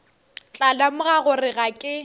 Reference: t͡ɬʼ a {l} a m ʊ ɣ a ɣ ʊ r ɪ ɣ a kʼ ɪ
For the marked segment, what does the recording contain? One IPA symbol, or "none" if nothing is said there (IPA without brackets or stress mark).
l